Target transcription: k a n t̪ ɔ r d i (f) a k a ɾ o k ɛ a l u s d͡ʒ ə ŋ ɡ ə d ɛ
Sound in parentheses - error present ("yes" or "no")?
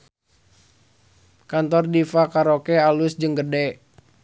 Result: no